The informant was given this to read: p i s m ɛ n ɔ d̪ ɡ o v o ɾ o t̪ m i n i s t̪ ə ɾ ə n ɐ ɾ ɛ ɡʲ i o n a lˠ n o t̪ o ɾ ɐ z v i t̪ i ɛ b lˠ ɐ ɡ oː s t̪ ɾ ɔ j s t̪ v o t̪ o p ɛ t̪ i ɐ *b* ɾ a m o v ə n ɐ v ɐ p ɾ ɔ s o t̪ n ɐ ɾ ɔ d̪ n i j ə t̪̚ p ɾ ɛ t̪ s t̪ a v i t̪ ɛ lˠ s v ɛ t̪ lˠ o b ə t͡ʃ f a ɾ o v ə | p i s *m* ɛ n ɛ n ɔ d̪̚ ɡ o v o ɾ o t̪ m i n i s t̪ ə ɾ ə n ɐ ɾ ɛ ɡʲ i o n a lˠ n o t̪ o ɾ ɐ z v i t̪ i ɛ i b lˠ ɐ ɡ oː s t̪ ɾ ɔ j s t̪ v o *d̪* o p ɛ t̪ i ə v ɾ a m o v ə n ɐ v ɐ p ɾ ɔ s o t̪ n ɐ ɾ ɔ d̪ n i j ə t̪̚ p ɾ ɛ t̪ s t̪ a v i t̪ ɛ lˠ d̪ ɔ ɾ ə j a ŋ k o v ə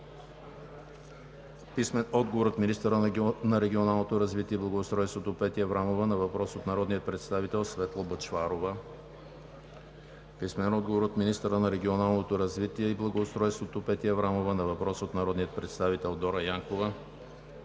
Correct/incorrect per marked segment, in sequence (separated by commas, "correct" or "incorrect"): incorrect, correct, incorrect